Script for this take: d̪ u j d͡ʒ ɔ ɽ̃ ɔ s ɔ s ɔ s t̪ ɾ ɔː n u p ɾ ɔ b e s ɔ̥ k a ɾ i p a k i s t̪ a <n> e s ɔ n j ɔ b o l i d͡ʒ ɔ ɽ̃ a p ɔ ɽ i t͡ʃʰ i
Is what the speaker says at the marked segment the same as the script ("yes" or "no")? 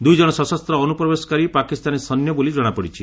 yes